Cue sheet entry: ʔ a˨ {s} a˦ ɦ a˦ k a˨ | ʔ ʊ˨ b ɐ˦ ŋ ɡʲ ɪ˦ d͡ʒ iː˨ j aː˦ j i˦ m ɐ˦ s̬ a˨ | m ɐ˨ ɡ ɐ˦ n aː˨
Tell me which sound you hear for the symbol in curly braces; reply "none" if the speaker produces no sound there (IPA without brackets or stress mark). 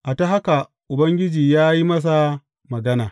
t